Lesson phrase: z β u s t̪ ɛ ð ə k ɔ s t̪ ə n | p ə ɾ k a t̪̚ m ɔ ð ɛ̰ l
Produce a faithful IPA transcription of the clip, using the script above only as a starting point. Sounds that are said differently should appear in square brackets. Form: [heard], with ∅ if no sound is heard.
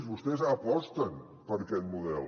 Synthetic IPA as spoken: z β u s t̪ ɛ [z] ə [p] ɔ s t̪ ə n | p ə ɾ k [ɛ] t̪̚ m [u] ð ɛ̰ l